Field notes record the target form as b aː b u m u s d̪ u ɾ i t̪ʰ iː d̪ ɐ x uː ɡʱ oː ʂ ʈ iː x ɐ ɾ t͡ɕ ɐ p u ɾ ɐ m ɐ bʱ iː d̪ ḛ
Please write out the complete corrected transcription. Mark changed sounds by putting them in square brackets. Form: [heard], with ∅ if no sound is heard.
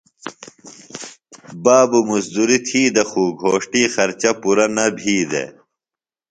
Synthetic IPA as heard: b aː b u m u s d̪ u ɾ i t̪ʰ iː d̪ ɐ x uː ɡʱ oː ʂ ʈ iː x ɐ ɾ t͡ɕ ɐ p u ɾ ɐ [n] ɐ bʱ iː d̪ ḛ